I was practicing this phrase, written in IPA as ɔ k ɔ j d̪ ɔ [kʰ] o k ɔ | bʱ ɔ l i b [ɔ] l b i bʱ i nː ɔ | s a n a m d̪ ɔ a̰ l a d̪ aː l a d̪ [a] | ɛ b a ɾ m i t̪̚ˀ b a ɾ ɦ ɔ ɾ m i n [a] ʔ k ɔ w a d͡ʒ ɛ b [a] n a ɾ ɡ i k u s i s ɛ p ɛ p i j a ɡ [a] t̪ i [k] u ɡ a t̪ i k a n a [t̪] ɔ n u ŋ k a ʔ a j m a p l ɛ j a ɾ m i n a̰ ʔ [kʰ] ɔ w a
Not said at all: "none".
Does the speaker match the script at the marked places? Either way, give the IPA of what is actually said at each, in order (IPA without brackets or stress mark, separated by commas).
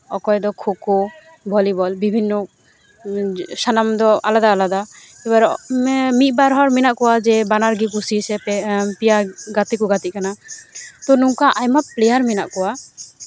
kʰ, ɔ, a, a, a, a, k, t̪, k